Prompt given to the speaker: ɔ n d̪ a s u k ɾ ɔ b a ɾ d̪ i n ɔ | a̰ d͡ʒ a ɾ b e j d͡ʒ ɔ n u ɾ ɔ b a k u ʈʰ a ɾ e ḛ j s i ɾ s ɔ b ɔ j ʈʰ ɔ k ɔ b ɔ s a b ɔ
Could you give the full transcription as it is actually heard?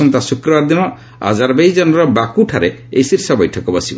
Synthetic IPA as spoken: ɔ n t̪ a s u k ɾ ɔ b a ɾ d̪ i n ɔ | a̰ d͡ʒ a ɾ b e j d͡ʒ ɔ n ɔ ɾ ɔ b a k u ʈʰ a ɾ e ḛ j s i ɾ s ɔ b ɔ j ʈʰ ɔ k ɔ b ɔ s i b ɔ